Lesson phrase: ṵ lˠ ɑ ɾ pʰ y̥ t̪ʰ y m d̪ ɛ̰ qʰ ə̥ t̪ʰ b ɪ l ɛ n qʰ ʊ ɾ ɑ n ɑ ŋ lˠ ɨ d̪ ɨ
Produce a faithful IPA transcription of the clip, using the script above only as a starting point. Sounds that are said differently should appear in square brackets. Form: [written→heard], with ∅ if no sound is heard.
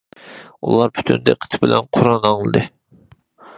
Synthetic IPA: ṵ lˠ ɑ ɾ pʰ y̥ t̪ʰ y [m→n] d̪ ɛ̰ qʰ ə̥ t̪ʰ b ɪ l ɛ n qʰ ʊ ɾ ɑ n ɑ ŋ lˠ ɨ d̪ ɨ